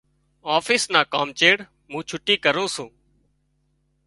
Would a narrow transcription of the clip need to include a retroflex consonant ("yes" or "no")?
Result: yes